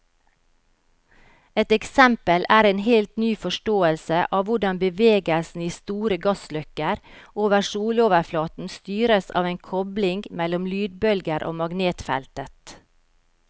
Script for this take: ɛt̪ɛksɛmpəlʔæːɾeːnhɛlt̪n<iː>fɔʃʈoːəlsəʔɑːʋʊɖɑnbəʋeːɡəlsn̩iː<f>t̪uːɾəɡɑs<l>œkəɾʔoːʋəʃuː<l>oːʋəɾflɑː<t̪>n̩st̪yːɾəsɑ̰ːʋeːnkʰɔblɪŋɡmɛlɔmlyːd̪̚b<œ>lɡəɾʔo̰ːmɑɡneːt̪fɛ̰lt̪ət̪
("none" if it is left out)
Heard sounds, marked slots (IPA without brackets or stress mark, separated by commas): yː, s, l, l, t̪, œ